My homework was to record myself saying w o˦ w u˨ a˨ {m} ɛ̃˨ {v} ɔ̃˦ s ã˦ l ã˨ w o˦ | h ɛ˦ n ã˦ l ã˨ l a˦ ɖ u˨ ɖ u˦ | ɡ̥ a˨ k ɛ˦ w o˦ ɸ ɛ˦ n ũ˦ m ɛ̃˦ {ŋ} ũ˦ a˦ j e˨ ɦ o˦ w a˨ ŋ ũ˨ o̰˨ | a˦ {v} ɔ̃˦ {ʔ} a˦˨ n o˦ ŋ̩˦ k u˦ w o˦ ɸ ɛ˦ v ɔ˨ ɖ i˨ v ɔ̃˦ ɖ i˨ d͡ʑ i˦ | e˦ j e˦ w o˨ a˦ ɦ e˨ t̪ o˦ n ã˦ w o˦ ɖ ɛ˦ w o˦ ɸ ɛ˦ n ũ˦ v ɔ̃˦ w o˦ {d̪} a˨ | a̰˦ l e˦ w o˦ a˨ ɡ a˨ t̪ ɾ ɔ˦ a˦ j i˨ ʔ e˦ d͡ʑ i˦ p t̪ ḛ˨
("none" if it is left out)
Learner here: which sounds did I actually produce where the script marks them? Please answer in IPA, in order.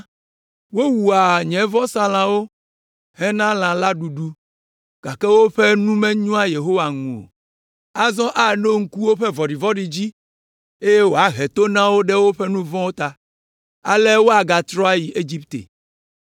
ɲ, v, ɲ, z, ʔ, t̪

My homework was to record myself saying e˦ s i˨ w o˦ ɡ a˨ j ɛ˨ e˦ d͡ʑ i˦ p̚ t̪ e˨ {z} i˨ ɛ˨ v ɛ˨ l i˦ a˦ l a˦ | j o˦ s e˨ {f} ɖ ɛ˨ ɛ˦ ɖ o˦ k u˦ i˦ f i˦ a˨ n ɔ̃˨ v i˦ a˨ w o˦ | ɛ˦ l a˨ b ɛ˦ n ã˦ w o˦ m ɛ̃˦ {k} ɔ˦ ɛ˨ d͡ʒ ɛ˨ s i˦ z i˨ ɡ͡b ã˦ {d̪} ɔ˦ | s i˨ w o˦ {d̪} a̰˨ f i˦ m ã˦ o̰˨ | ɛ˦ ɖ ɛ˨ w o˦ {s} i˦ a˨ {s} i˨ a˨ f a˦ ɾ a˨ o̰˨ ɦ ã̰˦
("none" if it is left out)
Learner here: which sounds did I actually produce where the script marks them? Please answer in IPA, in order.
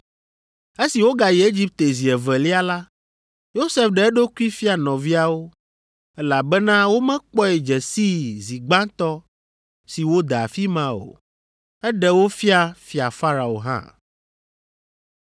z, f, k͡p, t̪, d̪, f, f

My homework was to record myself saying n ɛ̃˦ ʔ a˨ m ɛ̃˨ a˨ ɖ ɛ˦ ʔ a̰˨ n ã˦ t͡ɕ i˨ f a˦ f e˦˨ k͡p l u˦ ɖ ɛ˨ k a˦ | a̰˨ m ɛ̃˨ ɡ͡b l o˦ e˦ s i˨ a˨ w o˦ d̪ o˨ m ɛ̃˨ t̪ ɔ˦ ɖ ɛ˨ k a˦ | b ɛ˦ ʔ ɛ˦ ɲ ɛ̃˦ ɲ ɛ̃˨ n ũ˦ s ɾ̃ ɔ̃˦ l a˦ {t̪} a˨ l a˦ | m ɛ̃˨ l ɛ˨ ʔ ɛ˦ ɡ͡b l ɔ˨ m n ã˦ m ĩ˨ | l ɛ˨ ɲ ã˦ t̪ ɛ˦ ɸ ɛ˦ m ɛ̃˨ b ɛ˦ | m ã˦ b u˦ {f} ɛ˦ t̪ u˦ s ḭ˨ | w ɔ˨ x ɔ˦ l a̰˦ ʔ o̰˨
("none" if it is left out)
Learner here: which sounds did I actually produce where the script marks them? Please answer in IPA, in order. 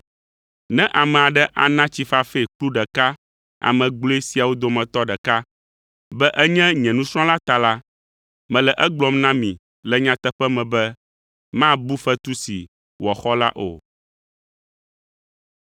t̪, f

